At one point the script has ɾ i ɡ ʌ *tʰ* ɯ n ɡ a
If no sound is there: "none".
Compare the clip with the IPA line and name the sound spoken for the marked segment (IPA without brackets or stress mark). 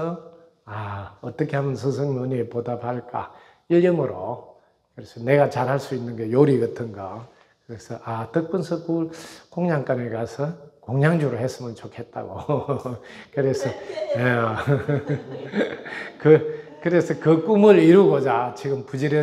tʰ